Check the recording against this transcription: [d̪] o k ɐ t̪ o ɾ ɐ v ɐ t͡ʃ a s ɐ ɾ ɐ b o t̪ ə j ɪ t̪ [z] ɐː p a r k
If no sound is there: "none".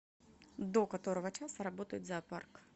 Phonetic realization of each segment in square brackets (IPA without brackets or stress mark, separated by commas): d̪, z